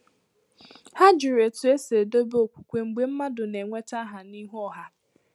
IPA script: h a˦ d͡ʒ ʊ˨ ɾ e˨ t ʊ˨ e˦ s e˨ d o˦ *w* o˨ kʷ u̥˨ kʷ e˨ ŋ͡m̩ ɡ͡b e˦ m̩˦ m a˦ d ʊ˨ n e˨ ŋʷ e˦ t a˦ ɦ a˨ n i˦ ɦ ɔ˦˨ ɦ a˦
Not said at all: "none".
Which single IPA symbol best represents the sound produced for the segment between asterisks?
b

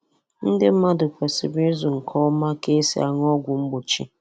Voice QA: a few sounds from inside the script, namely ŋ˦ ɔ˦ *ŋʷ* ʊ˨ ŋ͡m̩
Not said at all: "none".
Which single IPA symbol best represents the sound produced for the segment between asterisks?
ɡʷ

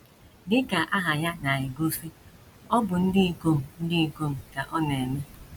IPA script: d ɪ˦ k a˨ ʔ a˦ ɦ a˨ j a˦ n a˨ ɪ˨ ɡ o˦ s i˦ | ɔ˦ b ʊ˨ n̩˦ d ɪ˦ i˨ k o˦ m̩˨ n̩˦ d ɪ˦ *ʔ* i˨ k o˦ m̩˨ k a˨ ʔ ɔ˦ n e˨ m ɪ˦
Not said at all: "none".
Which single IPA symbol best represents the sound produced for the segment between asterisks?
none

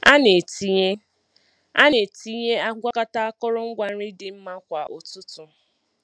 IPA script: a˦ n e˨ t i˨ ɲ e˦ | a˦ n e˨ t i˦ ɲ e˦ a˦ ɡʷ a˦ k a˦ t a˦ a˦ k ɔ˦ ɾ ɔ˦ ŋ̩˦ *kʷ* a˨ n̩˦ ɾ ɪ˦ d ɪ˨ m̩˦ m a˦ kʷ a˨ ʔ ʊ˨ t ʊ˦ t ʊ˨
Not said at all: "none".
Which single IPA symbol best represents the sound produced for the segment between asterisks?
ɡʷ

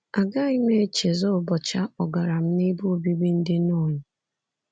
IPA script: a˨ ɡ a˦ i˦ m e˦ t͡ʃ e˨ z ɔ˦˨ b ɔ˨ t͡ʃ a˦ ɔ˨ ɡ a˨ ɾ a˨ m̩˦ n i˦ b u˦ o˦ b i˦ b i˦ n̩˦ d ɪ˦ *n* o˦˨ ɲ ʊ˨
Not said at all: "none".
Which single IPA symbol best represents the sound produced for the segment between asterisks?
n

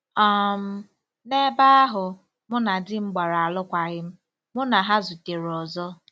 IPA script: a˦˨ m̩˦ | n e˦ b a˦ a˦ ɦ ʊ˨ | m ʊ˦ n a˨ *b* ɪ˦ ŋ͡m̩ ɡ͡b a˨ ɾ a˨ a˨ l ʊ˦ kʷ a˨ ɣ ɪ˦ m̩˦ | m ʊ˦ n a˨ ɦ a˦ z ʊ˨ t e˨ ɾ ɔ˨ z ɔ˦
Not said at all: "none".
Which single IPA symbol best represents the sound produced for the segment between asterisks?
d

